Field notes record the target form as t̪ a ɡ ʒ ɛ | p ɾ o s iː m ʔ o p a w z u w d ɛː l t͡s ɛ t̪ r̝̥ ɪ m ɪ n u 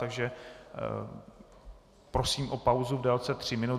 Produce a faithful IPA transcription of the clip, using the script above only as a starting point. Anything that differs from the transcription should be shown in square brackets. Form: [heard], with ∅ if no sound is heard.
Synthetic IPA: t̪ a ɡ ʒ ɛ | p ɾ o s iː m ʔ o p a w z u [v] d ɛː l t͡s ɛ t̪ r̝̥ ɪ m ɪ n u